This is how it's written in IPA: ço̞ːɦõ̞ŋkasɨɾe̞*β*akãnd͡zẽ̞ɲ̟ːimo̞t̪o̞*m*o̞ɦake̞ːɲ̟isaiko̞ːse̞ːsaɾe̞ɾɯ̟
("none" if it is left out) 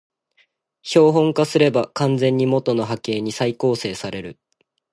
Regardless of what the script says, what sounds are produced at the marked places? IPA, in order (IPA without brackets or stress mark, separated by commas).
b, n